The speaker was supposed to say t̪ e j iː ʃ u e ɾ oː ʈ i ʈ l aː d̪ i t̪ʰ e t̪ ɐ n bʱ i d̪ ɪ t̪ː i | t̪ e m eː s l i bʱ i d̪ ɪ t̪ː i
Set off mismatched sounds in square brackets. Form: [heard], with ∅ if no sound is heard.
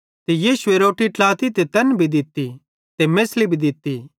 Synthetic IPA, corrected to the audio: t̪ e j iː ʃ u e ɾ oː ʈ i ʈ l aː [t̪] i [t̪] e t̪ ɐ n bʱ i d̪ ɪ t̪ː i | t̪ e m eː s l i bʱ i d̪ ɪ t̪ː i

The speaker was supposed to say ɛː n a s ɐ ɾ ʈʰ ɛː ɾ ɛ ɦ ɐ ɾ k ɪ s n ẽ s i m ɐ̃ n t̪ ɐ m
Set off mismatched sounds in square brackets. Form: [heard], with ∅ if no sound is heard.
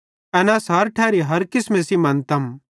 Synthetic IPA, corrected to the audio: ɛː n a s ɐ ɾ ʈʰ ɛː ɾ [i] ɦ ɐ ɾ k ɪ s [m] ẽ s i m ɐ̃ n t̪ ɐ m

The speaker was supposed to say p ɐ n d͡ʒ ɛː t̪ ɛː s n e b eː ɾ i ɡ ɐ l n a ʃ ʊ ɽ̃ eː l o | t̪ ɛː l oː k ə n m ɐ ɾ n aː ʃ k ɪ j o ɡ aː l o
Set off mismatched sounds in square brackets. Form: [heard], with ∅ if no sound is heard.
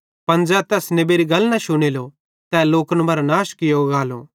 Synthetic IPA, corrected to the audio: p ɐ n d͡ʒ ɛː t̪ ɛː s n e b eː ɾ i ɡ ɐ l n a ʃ ʊ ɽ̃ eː l o | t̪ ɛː l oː k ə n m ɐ ɾ n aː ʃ k ɪ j o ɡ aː l o

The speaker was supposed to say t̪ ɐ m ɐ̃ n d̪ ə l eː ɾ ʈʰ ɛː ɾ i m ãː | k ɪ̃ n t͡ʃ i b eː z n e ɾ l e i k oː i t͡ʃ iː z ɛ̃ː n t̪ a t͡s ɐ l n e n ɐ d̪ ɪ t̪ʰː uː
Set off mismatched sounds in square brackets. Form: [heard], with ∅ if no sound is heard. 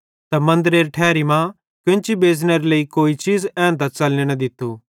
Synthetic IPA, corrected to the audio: t̪ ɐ m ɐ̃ n d̪ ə [ɾ] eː ɾ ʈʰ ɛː ɾ i m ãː | k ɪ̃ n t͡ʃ i b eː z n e ɾ l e i k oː i t͡ʃ iː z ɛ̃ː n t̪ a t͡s ɐ l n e n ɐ d̪ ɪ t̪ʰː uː

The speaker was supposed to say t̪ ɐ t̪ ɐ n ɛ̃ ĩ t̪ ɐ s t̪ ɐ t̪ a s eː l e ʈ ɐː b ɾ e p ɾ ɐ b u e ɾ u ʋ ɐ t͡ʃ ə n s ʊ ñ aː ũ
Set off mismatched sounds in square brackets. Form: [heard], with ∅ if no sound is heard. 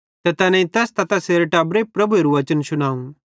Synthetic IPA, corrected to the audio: t̪ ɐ t̪ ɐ n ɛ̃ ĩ t̪ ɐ s t̪ ɐ t̪ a s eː [ɾ] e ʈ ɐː b ɾ e p ɾ ɐ b u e ɾ u ʋ ɐ t͡ʃ ə n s ʊ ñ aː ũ

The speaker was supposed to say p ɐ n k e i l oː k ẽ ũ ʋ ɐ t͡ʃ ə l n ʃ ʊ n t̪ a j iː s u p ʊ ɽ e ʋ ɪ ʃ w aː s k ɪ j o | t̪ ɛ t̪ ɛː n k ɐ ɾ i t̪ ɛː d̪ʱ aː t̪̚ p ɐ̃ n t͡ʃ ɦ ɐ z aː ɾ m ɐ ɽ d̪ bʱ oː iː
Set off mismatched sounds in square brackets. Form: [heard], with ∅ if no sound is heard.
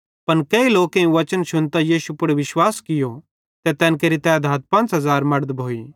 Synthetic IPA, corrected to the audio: p ɐ n k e i l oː k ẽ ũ ʋ ɐ t͡ʃ ə [∅] n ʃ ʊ n t̪ a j iː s u p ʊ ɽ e ʋ ɪ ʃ w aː s k ɪ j o | t̪ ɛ t̪ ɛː n k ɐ ɾ i t̪ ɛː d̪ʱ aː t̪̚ p ɐ̃ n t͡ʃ ɦ ɐ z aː ɾ m ɐ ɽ d̪ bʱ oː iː

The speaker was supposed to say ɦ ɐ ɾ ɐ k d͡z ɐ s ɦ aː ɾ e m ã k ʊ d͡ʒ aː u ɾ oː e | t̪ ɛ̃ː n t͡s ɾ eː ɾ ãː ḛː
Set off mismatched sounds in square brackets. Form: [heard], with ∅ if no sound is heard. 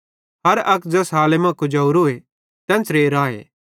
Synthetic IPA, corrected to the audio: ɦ ɐ ɾ ɐ k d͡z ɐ s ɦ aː [l] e m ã k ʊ d͡ʒ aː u ɾ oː e | t̪ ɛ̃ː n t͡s ɾ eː ɾ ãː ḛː

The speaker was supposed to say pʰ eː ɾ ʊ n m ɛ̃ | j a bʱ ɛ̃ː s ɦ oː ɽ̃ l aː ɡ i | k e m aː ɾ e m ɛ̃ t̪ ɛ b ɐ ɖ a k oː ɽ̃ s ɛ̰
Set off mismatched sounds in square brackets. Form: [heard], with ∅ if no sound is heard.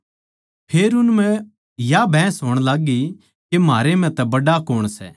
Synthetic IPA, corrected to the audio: pʰ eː ɾ ʊ n m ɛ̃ | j a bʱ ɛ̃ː s ɦ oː ɽ̃ l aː ɡ i | k e m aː ɾ e m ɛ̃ t̪ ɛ b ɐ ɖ a k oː ɽ̃ s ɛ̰

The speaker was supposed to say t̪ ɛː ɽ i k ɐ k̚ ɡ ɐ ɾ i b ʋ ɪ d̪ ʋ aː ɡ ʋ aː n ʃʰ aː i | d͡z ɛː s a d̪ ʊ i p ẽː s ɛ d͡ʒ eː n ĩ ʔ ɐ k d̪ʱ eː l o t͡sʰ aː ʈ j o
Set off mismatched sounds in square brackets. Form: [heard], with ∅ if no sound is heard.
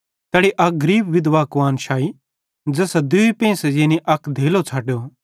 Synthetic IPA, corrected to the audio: t̪ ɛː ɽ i [ʔ] ɐ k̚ ɡ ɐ ɾ [iː] b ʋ ɪ d̪ ʋ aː [k] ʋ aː n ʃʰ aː i | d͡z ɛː s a d̪ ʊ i p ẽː s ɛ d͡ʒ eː n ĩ ʔ ɐ k d̪ʱ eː l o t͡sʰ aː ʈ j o

